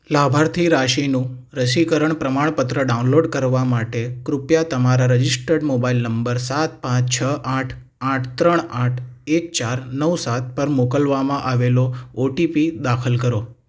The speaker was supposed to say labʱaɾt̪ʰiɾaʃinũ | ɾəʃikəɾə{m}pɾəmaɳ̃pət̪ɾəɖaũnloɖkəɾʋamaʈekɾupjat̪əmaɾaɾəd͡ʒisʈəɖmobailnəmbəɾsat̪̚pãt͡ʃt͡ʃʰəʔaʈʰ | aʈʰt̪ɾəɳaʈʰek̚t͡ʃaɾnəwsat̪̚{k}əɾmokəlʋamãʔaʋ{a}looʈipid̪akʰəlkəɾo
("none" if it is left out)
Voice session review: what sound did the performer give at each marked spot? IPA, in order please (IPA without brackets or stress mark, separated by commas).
ɳ, p, e